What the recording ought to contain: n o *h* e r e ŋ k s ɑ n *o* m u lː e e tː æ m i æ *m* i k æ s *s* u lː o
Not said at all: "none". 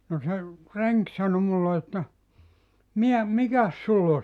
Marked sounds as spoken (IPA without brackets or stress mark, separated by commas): s, o, m, s